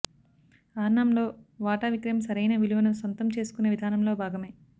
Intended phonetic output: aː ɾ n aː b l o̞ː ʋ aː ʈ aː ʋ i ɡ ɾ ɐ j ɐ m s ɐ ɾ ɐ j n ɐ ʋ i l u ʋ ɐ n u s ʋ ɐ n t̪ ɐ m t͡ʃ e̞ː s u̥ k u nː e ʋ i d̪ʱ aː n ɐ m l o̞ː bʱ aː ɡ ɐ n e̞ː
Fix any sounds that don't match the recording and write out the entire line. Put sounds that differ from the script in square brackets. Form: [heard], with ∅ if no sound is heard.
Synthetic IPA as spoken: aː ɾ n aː [m] l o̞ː ʋ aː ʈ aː ʋ i [k] ɾ ɐ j ɐ m s ɐ ɾ ɐ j n ɐ ʋ i l u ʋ ɐ n u s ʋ ɐ n t̪ ɐ m t͡ʃ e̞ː s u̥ k u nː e ʋ i d̪ʱ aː n ɐ m l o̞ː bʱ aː ɡ ɐ [m] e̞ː